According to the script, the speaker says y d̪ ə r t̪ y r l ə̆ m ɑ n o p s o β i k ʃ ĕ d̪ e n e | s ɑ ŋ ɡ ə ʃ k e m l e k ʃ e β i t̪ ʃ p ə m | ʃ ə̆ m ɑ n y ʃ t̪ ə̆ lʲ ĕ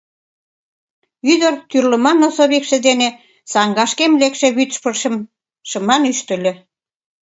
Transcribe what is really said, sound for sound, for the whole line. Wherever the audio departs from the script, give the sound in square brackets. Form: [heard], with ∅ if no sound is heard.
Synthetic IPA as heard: y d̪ ə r t̪ y r l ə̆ m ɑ n o [∅] s o β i k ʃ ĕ d̪ e n e | s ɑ ŋ ɡ [ɑ] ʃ k e m l e k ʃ e β [y] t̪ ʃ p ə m | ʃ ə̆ m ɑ n y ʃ t̪ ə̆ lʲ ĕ